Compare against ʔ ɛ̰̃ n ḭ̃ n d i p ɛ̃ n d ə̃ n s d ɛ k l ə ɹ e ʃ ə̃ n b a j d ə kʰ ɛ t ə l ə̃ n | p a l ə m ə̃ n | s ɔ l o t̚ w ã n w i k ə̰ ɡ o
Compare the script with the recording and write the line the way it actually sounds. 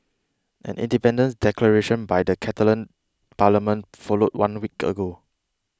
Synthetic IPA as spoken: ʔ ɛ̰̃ n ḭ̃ n d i p ɛ̃ n d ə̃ n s d ɛ k l ə ɹ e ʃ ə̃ n b a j d ə kʰ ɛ t ə l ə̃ n | p a l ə m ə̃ n | f ɔ l o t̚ w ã n w i k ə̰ ɡ o